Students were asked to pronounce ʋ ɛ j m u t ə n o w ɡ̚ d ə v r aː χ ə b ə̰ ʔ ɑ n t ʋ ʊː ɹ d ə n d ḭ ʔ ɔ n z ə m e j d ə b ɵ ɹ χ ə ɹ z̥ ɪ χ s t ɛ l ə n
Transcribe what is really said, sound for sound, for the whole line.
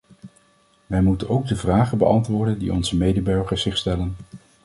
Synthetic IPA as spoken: ʋ ɛ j m u t ə n o w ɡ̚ d ə v r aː χ ə b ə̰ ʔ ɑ n t ʋ ʊː ɹ d ə n d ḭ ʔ ɔ n z ə m e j d ə b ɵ ɹ χ ə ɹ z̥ ɪ χ s t ɛ l ə n